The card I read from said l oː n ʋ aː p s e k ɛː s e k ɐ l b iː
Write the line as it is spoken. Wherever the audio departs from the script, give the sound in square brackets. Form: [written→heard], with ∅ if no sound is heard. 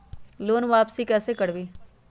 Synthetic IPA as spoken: l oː n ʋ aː p s [e→i] k ɛː s e k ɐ [l→ɽ] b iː